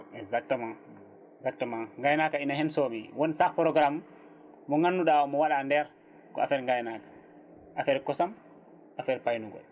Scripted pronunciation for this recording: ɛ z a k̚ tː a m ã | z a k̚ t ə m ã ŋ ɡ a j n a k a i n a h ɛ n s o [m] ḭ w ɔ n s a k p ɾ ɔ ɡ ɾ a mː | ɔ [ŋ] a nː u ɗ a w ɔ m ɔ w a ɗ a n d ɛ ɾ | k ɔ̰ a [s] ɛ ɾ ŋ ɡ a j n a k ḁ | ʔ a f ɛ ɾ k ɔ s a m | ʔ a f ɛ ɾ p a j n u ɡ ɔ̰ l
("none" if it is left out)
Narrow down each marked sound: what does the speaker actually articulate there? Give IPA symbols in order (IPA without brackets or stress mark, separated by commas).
m, ŋ, f